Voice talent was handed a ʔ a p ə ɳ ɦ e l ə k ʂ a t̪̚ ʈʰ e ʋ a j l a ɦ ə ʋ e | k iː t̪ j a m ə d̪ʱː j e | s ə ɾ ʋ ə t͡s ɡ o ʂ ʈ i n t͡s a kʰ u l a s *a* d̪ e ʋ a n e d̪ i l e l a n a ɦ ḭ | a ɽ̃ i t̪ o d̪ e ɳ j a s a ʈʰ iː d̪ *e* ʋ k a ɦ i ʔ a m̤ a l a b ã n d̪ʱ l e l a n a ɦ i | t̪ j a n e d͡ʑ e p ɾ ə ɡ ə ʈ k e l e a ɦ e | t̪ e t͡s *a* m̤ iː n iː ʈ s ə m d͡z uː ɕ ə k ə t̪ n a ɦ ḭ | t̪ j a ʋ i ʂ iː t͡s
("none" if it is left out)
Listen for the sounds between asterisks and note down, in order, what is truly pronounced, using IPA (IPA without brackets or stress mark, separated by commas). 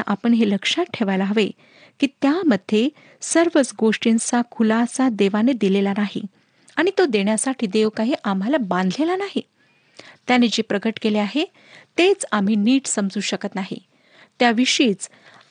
a, e, a